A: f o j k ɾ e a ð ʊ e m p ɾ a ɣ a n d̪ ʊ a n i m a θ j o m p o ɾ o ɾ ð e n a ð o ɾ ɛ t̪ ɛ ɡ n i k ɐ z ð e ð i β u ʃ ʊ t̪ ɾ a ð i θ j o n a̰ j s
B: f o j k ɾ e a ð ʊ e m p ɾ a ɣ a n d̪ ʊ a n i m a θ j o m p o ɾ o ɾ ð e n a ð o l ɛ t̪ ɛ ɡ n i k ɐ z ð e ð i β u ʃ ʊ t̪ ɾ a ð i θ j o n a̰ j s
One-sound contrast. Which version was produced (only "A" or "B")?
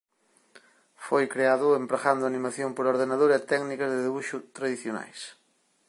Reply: A